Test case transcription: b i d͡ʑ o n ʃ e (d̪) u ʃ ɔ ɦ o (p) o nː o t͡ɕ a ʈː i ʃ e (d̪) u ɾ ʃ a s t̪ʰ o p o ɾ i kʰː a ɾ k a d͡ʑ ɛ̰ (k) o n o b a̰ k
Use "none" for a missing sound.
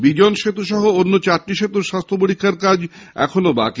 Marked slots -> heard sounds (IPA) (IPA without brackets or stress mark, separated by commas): t̪, none, t̪, kʰ